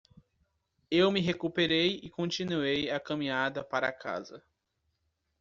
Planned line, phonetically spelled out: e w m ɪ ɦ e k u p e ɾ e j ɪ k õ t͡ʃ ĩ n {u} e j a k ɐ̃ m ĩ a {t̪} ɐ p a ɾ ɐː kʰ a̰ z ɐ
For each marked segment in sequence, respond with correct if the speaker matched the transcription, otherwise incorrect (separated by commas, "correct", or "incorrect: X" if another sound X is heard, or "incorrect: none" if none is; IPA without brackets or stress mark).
correct, incorrect: d̪